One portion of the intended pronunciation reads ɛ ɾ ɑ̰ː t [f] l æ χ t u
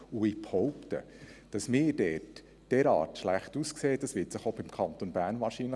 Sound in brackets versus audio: incorrect: ʃ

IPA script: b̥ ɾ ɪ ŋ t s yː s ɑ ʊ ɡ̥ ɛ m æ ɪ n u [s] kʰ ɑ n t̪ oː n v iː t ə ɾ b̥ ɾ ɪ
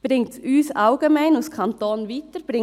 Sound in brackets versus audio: correct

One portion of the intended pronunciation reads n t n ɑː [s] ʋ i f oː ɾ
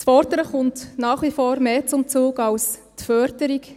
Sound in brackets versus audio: incorrect: χ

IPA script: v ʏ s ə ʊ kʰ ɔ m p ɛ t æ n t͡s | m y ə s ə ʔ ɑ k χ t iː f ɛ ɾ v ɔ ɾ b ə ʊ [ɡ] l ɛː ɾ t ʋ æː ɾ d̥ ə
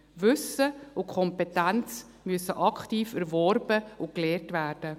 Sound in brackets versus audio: incorrect: k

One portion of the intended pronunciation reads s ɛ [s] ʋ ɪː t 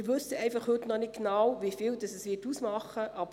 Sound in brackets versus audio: correct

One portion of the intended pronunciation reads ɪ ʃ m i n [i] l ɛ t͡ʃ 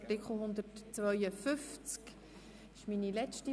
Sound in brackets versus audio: correct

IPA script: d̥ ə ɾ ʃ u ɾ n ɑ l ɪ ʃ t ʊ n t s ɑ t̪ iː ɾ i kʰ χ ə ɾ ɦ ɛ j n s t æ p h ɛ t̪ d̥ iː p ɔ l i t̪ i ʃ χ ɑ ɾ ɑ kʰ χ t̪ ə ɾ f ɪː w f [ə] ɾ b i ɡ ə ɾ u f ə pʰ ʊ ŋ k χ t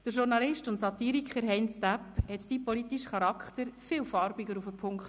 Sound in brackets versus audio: incorrect: ɑ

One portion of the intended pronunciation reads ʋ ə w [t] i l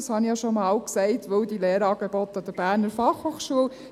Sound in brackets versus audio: incorrect: d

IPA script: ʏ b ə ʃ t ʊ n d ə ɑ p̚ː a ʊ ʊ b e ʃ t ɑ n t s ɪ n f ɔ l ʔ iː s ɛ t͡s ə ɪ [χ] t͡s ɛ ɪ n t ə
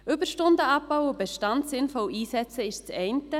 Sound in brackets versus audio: incorrect: ʃ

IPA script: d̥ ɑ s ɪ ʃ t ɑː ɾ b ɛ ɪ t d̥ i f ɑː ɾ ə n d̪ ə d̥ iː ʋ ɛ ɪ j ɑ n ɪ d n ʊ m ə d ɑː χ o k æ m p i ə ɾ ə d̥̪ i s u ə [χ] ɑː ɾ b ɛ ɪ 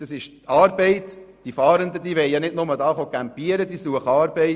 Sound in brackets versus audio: correct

